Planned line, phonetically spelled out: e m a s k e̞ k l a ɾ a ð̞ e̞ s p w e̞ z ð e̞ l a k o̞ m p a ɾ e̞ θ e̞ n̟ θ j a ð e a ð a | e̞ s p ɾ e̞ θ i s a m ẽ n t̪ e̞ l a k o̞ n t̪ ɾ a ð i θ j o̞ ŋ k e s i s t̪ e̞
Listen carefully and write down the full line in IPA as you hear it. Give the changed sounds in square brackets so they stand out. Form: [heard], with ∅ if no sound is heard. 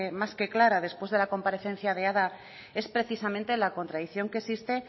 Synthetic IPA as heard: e m a s k e̞ k l a ɾ a ð̞ e̞ s p w e̞ z ð e̞ l a k o̞ m p a ɾ e̞ θ e̞ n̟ θ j a ð e a ð a | e̞ s p ɾ e̞ θ i s a m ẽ n t̪ e̞ l a k o̞ n t̪ ɾ a ð i θ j o̞ ŋ k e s i s t̪ e̞